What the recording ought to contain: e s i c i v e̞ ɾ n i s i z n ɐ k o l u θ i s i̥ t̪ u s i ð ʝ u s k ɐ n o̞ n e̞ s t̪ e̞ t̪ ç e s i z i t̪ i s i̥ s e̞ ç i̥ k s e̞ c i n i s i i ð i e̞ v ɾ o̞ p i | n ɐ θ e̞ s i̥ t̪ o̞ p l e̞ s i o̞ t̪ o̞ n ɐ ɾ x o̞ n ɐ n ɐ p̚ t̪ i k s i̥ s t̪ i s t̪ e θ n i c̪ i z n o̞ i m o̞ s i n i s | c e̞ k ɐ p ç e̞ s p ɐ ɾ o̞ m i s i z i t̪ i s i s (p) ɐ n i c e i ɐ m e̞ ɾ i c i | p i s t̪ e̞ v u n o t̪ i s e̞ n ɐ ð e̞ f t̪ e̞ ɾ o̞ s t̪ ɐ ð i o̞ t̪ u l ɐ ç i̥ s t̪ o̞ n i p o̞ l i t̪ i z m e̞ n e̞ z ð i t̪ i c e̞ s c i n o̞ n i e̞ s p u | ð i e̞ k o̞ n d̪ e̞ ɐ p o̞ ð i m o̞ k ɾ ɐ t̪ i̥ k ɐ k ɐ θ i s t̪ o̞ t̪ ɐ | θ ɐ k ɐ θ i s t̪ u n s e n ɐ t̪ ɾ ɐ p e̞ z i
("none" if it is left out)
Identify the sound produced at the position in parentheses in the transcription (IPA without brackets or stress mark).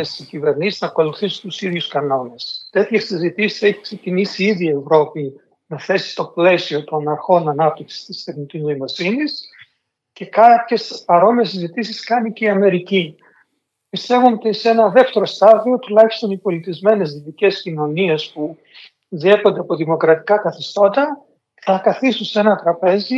k